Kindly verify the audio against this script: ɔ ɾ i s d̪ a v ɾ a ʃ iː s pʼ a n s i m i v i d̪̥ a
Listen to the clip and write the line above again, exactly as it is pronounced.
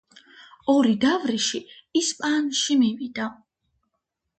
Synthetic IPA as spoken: ɔ ɾ i d̪ a v ɾ i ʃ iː s pʼ a n ʃ i m i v i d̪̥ a

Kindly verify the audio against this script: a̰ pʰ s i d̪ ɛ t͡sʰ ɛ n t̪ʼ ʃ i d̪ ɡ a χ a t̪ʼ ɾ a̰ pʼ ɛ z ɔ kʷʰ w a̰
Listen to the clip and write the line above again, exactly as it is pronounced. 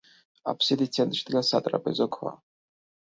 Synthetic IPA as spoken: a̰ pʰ s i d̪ i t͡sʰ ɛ n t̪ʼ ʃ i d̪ ɡ a s a t̪ʼ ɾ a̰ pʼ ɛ z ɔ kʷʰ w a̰

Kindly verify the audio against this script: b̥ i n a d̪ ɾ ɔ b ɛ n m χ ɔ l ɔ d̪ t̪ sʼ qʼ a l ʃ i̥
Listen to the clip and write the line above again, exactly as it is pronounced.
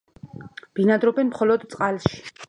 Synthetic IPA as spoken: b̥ i n a d̪ ɾ ɔ b ɛ n m χ ɔ l ɔ d̪ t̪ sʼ qʼ a l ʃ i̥

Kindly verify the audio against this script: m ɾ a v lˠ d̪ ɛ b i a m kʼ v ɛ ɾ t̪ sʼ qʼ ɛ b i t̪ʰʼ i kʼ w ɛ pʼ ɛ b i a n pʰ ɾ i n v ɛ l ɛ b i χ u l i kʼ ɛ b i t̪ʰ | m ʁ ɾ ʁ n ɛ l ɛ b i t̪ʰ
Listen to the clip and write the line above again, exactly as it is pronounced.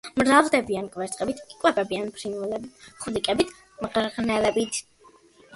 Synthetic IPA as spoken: m ɾ a v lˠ d̪ ɛ b i a n kʼ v ɛ ɾ t̪ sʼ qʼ ɛ b i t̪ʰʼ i kʼ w ɛ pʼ ɛ b i a n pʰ ɾ i n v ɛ l ɛ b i χ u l i kʼ ɛ b i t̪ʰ | m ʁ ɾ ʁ n ɛ l ɛ b i t̪ʰ

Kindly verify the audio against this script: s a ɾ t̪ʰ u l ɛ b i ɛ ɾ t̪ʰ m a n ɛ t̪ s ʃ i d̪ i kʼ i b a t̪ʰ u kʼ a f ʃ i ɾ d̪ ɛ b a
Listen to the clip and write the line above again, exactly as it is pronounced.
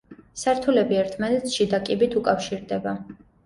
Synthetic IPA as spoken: s a ɾ t̪ʰ u l ɛ b i ɛ ɾ t̪ʰ m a n ɛ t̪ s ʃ i d̪ a kʼ i b i t̪ʰ u kʼ a f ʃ i ɾ d̪ ɛ b a

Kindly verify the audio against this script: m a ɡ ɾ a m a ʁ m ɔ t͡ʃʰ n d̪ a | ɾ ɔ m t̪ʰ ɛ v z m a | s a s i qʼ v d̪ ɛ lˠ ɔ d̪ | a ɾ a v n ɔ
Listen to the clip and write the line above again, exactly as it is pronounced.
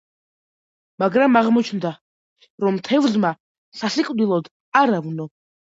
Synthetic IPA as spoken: m a ɡ ɾ a m a ʁ m ɔ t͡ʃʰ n d̪ a | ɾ ɔ m t̪ʰ ɛ v z m a | s a s i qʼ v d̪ i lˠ ɔ d̪ | a ɾ a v n ɔ

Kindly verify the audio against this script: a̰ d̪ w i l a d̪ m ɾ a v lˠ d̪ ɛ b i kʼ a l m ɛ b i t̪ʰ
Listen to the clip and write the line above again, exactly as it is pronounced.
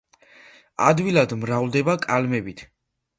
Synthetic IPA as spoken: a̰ d̪ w i l a d̪ m ɾ a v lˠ d̪ ɛ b a kʼ a l m ɛ b i t̪ʰ

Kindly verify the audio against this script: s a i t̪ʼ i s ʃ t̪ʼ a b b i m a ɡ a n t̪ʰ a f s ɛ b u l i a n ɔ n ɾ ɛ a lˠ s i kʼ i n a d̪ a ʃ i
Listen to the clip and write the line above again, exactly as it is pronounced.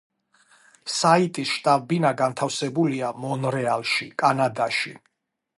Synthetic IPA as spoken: s a i t̪ʼ i s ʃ t̪ʼ a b b i n a ɡ a n t̪ʰ a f s ɛ b u l i a m ɔ n ɾ ɛ a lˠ ʃ i kʼ a n a d̪ a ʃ i

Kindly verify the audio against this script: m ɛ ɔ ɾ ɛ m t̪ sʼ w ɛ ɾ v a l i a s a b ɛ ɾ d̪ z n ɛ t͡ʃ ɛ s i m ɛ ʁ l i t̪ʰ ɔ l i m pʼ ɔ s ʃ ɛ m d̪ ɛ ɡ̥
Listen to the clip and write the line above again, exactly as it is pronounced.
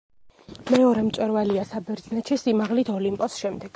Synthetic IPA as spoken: m ɛ ɔ ɾ ɛ m t̪ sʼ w ɛ ɾ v a l i a s a b ɛ ɾ d̪ z n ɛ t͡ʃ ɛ s i m a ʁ l i t̪ʰ ɔ l i m pʼ ɔ s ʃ ɛ m d̪ ɛ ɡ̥

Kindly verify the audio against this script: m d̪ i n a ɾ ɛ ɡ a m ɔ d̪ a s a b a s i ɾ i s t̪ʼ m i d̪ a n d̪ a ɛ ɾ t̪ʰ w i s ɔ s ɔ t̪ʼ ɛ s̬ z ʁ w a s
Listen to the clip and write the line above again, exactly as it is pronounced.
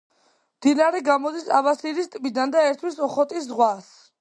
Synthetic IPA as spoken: m d̪ i n a ɾ ɛ ɡ a m ɔ d̪ i s a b a s i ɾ i s t̪ʼ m i d̪ a n d̪ a ɛ ɾ t̪ʰ w i s ɔ χ ɔ t̪ʼ i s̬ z ʁ w a s

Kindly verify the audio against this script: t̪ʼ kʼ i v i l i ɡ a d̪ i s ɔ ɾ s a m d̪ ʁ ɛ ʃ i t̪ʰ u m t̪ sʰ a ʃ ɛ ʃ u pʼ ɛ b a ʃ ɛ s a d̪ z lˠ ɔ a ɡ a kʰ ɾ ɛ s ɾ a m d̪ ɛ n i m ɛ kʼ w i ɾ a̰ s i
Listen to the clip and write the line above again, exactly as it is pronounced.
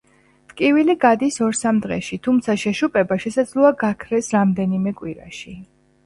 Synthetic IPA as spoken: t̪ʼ kʼ i v i l i ɡ a d̪ i s ɔ ɾ s a m d̪ ʁ ɛ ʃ i t̪ʰ u m t̪ sʰ a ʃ ɛ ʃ u pʼ ɛ b a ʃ ɛ s a d̪ z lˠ ɔ a ɡ a kʰ ɾ ɛ s ɾ a m d̪ ɛ n i m ɛ kʼ w i ɾ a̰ ʃ i

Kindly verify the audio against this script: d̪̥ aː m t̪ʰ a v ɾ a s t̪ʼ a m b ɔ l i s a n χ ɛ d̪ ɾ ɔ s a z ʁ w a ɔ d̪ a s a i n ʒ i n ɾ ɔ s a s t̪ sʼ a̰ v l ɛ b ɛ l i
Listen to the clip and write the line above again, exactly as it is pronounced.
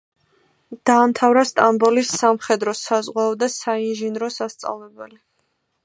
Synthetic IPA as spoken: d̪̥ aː m t̪ʰ a v ɾ a s t̪ʼ a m b ɔ l i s a m χ ɛ d̪ ɾ ɔ s a z ʁ w a ɔ d̪ a s a i n ʒ i n ɾ ɔ s a s t̪ sʼ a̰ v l ɛ b ɛ l i

